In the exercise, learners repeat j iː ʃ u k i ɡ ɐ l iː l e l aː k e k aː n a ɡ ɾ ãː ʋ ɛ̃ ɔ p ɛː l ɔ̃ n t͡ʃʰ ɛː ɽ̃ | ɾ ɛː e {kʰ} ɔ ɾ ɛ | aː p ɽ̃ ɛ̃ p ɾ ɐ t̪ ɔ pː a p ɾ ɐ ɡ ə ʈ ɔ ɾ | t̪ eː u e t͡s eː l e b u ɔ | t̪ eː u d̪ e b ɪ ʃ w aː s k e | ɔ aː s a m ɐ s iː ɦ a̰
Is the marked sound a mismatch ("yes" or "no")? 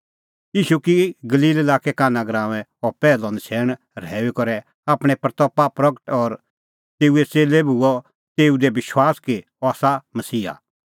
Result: yes